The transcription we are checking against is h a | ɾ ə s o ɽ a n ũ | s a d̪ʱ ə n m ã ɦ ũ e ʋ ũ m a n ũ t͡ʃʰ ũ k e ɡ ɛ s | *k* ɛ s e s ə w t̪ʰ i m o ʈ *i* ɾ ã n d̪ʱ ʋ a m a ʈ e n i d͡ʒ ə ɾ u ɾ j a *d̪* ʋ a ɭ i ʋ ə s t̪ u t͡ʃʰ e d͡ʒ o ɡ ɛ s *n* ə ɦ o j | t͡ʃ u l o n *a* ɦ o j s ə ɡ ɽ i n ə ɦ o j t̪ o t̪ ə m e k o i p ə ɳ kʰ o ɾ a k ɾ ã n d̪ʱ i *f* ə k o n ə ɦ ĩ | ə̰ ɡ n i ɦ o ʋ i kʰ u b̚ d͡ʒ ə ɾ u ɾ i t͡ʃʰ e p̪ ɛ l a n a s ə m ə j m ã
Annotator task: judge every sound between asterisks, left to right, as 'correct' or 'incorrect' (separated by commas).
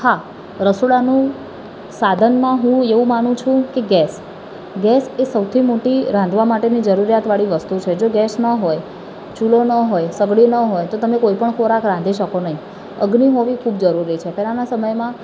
incorrect, correct, incorrect, correct, incorrect, incorrect